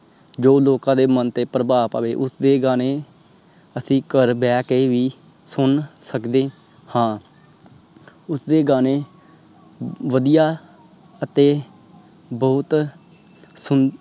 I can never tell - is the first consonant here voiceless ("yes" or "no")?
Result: no